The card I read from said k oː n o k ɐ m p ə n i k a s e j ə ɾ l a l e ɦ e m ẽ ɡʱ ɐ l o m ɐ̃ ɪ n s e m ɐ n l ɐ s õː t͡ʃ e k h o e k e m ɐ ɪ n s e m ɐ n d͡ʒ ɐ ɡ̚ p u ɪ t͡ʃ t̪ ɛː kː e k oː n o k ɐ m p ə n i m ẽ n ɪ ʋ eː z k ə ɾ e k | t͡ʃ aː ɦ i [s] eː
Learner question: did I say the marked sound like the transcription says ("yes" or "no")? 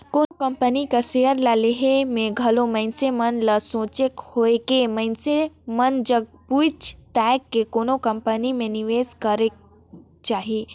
no